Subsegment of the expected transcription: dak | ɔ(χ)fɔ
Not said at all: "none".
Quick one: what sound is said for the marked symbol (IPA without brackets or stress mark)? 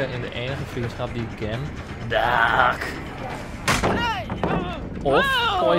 f